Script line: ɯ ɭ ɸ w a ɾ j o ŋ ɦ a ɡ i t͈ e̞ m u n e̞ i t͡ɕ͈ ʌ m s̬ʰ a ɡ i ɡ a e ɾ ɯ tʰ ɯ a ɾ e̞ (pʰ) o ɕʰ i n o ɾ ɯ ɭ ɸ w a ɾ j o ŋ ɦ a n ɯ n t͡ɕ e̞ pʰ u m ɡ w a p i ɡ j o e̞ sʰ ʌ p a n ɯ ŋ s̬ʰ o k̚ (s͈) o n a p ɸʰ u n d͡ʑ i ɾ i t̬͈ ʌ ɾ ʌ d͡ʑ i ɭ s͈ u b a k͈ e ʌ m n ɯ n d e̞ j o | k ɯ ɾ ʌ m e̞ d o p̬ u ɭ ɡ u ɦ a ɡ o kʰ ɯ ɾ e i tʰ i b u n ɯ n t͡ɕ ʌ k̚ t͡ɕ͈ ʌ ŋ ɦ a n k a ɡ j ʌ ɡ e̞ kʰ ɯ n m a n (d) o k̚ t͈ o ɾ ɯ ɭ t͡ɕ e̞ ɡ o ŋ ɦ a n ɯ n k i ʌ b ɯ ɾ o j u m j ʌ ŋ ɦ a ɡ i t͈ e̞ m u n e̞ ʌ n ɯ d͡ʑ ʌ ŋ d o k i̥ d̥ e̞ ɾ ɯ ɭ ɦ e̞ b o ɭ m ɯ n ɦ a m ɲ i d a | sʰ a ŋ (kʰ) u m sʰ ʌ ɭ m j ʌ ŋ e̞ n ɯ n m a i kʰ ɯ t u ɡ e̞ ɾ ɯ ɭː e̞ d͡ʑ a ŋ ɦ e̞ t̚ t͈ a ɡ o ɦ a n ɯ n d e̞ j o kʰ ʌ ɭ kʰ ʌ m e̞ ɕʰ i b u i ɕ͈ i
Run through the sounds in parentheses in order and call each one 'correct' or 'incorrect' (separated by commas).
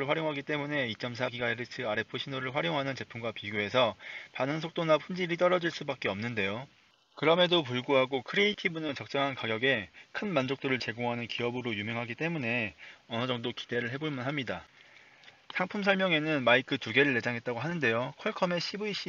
correct, incorrect, incorrect, incorrect